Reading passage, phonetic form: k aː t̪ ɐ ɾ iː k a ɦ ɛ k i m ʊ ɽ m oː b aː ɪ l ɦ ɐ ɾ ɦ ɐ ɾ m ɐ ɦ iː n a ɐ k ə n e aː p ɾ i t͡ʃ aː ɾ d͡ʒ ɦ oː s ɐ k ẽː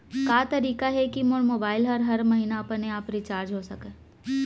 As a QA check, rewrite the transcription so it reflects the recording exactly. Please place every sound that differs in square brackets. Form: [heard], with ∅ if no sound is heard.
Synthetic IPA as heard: k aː t̪ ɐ ɾ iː k a ɦ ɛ k i m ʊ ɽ m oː b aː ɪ l ɦ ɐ ɾ ɦ ɐ ɾ m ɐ ɦ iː n a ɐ [p] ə n e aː p ɾ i t͡ʃ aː ɾ d͡ʒ ɦ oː s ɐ k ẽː